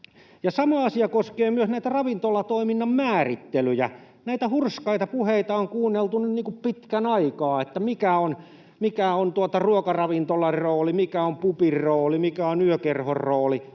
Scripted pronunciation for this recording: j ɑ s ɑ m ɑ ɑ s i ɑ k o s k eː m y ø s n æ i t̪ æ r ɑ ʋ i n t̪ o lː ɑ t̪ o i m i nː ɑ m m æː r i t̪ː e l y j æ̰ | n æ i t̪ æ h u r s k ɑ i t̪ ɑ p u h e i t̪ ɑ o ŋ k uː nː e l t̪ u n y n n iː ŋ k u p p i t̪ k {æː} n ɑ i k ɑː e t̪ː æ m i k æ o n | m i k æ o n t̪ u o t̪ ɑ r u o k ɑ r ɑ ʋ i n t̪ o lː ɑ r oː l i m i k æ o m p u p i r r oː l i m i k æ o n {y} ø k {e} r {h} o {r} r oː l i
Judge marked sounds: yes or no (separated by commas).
no, yes, yes, yes, yes